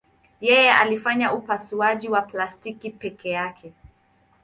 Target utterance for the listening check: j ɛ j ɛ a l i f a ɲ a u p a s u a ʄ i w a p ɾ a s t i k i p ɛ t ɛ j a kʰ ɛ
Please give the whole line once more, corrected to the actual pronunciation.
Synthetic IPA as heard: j ɛ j ɛ a l i f a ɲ a u p a s u a ʄ i w a p l a s t i k i p ɛ k ɛ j a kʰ ɛ